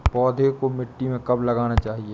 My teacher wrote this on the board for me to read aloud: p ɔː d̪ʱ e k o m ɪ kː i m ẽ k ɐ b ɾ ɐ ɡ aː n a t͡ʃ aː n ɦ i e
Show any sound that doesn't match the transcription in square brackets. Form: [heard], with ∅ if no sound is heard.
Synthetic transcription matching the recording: p ɔː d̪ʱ e k o m ɪ [ʈː] i m ẽ k ɐ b [l] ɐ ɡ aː n a t͡ʃ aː [∅] ɦ i e